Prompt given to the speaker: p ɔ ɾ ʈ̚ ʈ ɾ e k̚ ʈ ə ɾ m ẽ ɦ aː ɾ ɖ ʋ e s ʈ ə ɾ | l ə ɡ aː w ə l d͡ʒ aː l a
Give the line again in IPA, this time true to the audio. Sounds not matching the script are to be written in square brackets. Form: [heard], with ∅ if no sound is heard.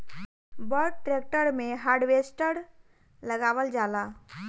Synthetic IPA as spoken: [b] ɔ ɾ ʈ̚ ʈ ɾ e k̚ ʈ ə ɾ m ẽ ɦ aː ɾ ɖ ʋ e s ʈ ə ɾ | l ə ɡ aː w ə l d͡ʒ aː l a